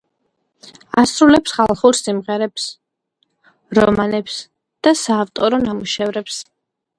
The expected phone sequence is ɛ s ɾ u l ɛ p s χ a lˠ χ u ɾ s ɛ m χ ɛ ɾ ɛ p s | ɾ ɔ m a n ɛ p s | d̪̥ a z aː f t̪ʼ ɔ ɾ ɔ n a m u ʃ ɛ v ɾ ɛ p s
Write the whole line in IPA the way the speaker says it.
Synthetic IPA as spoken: a s ɾ u l ɛ p s χ a lˠ χ u ɾ s i m ʁ ɛ ɾ ɛ p s | ɾ ɔ m a n ɛ p s | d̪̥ a s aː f t̪ʼ ɔ ɾ ɔ n a m u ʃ ɛ v ɾ ɛ p s